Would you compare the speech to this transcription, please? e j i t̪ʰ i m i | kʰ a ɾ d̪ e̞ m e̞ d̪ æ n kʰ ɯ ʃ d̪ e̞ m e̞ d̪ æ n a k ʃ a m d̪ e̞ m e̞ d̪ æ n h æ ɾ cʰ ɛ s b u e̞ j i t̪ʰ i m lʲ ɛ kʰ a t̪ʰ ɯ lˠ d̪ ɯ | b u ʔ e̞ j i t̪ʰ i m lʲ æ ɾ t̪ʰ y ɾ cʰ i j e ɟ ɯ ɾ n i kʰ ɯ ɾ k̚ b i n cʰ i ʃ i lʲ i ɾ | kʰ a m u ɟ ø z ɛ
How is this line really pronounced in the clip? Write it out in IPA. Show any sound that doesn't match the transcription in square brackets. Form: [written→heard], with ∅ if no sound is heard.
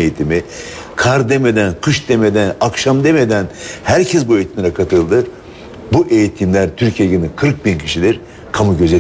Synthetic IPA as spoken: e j i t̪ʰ i m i | kʰ a ɾ d̪ e̞ m e̞ d̪ æ n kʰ ɯ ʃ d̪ e̞ m e̞ d̪ æ n a k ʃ a m d̪ e̞ m e̞ d̪ æ n h æ ɾ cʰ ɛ s b u e̞ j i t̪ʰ i m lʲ ɛ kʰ a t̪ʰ ɯ lˠ d̪ ɯ | b u ʔ e̞ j i t̪ʰ i m lʲ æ ɾ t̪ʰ y ɾ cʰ i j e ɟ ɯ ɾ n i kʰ ɯ ɾ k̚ b i n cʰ i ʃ i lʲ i ɾ | kʰ a m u ɟ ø z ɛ